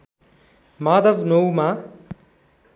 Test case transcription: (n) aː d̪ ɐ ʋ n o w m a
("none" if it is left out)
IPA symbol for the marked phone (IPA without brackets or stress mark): m